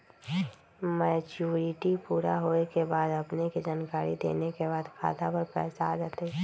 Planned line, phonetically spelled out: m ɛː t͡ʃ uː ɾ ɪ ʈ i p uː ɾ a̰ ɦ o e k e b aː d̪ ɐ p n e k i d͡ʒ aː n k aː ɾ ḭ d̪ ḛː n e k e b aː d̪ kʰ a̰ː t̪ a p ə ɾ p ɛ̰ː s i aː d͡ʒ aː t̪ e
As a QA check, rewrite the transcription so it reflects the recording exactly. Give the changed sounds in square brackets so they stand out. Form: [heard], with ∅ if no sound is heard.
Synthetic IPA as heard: m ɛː t͡ʃ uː ɾ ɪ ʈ i p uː ɾ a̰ ɦ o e k e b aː d̪ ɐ p n e k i d͡ʒ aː n k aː ɾ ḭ d̪ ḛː n e k e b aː d̪ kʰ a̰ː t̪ a p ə ɾ p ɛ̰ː s [a] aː d͡ʒ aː t̪ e